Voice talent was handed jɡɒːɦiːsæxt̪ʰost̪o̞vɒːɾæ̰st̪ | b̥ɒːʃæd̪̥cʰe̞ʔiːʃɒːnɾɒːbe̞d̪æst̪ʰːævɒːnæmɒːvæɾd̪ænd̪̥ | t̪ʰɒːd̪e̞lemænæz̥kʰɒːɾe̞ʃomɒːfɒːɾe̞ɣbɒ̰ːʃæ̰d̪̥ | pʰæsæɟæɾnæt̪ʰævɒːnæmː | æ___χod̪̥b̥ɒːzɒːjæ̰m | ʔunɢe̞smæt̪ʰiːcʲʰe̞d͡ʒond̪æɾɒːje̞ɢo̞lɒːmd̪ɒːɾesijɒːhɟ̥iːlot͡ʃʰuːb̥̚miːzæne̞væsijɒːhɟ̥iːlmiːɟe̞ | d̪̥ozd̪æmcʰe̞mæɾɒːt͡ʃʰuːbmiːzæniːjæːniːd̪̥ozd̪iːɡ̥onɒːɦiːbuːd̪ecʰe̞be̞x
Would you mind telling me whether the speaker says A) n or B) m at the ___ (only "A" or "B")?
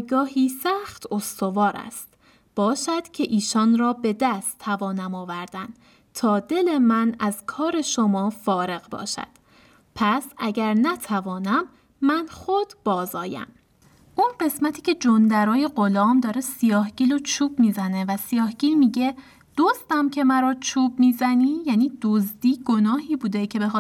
A